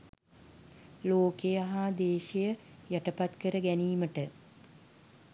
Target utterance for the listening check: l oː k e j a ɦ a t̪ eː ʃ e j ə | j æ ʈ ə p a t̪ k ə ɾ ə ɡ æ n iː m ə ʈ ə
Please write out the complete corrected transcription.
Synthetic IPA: l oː k e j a ɦ a d̪ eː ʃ e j ə | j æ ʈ ə p a t̪ k ə ɾ ə ɡ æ n iː m ə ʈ ə